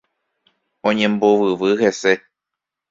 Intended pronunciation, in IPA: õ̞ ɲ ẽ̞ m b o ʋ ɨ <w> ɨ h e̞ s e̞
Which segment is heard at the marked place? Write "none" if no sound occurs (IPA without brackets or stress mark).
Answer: ʋ